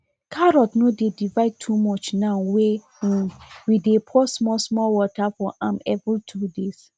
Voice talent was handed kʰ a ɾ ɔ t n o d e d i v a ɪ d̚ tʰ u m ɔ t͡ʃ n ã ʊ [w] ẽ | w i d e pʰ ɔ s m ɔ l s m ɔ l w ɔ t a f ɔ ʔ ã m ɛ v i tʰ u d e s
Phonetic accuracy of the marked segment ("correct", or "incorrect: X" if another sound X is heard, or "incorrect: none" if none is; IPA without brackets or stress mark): correct